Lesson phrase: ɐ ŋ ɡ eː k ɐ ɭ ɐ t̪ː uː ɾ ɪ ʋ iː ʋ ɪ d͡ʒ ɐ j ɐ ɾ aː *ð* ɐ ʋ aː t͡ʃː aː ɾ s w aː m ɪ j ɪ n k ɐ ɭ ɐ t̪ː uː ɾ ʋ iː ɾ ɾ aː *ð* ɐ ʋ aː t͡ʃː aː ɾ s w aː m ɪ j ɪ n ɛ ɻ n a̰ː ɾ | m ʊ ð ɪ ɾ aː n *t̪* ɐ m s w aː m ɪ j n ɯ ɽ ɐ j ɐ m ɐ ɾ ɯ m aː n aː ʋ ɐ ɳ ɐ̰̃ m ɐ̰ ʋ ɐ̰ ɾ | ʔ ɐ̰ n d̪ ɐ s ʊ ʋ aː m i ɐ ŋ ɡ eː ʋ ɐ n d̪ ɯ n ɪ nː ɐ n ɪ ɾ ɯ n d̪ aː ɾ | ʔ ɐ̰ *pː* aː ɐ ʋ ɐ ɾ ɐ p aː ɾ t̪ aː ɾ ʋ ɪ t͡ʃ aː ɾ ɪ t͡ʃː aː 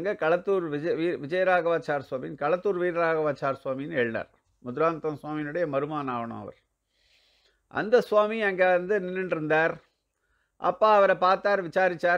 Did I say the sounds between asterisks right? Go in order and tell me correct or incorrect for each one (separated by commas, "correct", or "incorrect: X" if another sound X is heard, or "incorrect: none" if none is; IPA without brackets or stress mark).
incorrect: ɣ, incorrect: ɣ, correct, correct